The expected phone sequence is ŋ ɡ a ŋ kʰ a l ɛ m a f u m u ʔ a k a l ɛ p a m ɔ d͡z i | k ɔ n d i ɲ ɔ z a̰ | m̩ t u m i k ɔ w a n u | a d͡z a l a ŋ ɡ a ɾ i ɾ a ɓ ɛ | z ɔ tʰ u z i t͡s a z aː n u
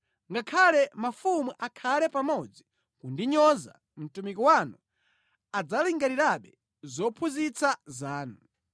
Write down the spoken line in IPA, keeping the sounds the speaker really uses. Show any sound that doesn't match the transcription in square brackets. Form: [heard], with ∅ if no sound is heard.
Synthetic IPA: ŋ ɡ a [∅] kʰ a l ɛ m a f u m u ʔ a [kʰ] a l ɛ p a m ɔ d͡z i | k [u] n d i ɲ ɔ z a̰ | m̩ t u m i k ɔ w a n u | a d͡z a l [i] ŋ ɡ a ɾ i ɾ a ɓ ɛ | z ɔ [pʰ] u z i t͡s a z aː n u